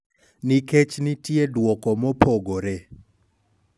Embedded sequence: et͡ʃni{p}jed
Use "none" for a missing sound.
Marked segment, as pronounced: t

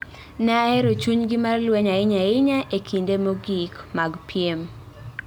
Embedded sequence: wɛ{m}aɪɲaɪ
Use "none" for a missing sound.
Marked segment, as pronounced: ɲ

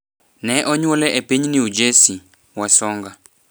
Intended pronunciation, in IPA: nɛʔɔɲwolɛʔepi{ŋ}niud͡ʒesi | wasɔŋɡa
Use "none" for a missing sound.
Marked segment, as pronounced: ɲ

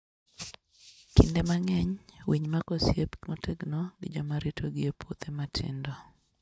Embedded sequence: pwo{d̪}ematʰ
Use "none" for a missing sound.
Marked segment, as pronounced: t̪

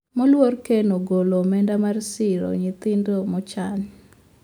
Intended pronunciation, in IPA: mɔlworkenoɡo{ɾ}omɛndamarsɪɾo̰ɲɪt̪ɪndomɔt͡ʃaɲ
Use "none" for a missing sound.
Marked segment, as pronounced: l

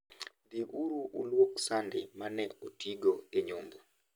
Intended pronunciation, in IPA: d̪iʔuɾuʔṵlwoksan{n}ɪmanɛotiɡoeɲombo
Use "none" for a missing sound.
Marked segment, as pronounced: d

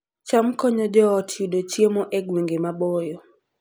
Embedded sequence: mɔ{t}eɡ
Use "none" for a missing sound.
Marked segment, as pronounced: ʔ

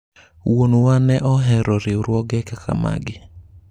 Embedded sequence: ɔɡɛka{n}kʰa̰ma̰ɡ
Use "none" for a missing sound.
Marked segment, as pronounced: none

